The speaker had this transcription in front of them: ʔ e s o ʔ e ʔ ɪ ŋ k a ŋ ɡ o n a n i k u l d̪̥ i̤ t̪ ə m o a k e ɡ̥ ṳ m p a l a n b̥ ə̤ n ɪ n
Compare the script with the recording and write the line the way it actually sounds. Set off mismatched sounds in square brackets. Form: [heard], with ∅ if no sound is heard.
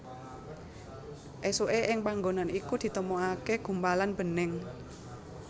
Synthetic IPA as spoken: ʔ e s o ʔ e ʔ ɪ ŋ [p] a ŋ ɡ o n a n i k u [∅] d̪̥ i̤ t̪ ə m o a k e ɡ̥ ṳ m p a l a n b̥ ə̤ n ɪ [ŋ]